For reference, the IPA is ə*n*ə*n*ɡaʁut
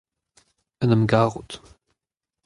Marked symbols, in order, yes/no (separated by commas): yes, no